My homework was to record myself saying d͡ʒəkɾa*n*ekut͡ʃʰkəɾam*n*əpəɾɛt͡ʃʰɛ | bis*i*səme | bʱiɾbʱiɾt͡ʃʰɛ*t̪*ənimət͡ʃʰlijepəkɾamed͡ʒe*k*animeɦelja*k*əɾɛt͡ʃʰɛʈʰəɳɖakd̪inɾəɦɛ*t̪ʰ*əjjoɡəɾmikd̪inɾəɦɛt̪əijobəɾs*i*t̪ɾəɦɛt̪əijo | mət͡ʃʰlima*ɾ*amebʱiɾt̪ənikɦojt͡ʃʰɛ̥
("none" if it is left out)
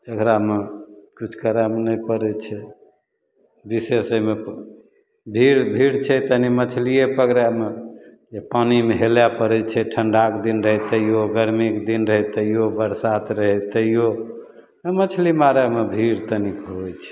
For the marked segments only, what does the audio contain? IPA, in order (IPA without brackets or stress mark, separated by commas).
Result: m, n, e, t̪, p, p, t̪, a, ɾ